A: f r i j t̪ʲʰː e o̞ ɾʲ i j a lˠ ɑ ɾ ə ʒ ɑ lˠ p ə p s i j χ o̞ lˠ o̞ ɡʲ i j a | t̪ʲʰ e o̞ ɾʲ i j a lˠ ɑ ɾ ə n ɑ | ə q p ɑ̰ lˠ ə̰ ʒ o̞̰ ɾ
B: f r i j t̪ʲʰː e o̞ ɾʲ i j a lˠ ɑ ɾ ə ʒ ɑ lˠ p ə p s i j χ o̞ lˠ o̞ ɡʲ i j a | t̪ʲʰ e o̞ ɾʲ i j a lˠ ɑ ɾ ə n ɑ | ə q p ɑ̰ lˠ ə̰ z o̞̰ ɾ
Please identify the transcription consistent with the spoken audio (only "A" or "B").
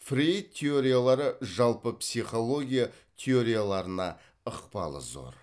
B